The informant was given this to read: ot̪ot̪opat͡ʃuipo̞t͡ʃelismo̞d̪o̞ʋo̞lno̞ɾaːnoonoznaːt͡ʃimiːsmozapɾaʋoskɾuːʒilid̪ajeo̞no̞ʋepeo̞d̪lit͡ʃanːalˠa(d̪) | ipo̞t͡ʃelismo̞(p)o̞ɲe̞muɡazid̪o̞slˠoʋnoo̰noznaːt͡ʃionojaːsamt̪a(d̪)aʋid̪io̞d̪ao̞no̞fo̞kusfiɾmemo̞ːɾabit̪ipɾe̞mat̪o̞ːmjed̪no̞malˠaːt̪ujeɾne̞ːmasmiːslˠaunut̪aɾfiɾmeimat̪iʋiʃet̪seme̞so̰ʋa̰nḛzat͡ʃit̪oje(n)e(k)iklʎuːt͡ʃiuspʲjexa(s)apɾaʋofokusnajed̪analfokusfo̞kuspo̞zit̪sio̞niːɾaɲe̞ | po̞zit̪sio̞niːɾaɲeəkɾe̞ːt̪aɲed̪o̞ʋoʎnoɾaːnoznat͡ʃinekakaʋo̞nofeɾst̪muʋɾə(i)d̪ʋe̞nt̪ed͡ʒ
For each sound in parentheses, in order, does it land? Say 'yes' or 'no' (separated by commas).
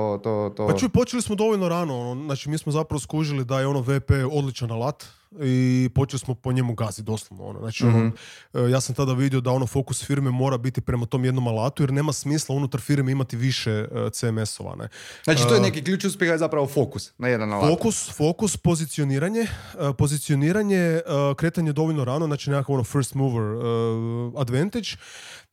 no, yes, yes, yes, yes, no, no